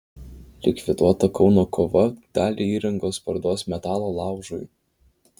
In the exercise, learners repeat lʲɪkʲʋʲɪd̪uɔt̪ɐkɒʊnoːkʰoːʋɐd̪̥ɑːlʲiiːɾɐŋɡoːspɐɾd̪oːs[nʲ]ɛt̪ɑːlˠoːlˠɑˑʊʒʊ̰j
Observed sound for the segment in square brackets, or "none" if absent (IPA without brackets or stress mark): mʲ